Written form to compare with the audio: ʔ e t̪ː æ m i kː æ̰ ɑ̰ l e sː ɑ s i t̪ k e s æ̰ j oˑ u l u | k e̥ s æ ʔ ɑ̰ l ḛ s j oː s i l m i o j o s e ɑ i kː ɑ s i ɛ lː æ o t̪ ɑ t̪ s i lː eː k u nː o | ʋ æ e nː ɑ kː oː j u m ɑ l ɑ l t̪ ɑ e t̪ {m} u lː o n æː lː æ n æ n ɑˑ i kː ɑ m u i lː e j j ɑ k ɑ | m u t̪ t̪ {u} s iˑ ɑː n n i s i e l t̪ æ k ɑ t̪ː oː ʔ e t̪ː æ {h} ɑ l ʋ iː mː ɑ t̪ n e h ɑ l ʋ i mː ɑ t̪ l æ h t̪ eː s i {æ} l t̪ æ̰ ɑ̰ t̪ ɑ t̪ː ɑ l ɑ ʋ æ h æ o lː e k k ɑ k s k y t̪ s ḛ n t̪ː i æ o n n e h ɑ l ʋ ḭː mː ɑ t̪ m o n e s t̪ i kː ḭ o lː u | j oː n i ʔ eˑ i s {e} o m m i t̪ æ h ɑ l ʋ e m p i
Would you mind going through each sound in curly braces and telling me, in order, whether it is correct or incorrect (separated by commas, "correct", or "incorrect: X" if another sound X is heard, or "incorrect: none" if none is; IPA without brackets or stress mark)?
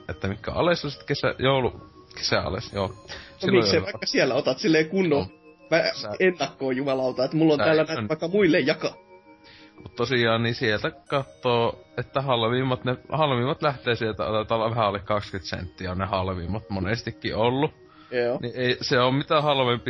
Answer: correct, incorrect: o, correct, incorrect: e, correct